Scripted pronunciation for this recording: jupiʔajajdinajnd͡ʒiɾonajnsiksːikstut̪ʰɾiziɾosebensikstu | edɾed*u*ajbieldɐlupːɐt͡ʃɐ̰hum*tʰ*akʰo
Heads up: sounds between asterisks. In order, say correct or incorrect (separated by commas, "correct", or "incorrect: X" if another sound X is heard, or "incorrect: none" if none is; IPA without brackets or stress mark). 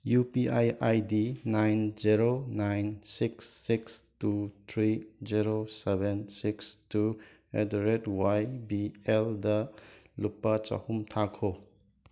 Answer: incorrect: w, correct